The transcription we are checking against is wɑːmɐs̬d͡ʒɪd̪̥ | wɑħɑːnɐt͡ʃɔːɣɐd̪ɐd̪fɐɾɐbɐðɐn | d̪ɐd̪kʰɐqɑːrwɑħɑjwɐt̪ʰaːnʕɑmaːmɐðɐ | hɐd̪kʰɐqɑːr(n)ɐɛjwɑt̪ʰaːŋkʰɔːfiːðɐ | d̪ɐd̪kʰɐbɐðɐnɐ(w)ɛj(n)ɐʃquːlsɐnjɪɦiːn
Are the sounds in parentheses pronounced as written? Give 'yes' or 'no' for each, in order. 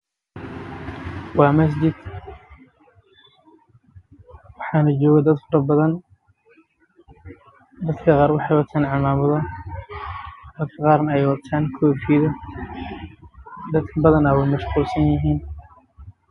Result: yes, yes, no

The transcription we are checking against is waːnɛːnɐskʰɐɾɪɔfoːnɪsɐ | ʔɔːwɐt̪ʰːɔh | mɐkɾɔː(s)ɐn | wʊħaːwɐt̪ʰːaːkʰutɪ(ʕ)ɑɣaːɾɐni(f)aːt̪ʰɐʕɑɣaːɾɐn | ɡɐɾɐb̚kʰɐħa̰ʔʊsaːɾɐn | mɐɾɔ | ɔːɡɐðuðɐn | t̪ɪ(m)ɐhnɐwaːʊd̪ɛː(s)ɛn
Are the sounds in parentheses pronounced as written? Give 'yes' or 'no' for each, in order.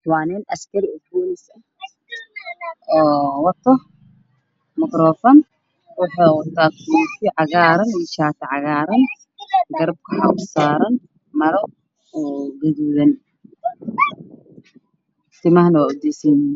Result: no, yes, no, yes, yes

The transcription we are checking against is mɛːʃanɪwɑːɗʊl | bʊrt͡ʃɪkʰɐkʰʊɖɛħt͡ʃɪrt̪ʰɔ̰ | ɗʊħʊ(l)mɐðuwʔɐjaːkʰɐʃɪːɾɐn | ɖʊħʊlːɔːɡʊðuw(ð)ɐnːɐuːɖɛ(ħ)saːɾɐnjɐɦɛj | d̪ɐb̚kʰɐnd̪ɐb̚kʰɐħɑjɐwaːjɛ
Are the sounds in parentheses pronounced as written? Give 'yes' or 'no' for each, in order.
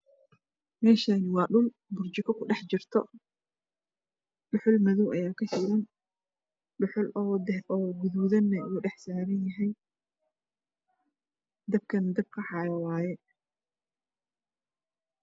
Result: yes, yes, yes

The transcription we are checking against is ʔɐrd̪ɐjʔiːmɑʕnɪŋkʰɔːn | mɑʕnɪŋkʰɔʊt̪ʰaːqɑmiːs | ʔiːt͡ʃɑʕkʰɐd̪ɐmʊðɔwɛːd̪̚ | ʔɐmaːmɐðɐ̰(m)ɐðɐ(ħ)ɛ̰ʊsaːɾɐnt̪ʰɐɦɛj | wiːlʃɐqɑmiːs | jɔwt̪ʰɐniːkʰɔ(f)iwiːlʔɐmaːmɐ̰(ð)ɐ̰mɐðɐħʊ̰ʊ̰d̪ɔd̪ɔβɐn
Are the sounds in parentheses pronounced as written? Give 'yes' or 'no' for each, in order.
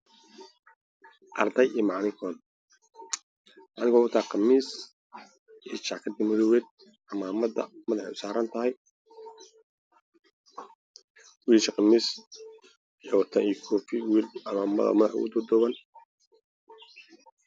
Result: yes, yes, yes, yes

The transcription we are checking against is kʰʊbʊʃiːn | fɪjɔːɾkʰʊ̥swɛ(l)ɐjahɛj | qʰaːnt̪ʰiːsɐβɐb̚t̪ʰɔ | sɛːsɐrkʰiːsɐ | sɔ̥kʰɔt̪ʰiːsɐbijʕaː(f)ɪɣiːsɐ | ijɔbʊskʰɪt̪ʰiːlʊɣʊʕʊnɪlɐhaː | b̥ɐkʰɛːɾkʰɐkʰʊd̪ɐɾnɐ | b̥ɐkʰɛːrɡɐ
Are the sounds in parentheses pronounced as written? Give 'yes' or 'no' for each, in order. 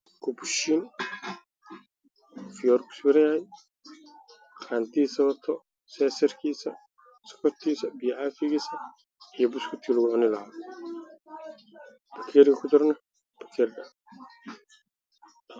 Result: no, yes

